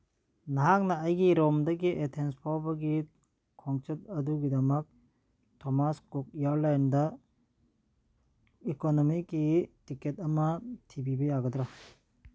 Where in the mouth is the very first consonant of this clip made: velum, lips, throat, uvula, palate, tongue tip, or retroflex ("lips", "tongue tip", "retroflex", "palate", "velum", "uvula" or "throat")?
tongue tip